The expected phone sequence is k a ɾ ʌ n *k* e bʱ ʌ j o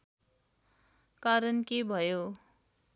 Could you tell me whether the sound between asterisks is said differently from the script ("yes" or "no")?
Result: no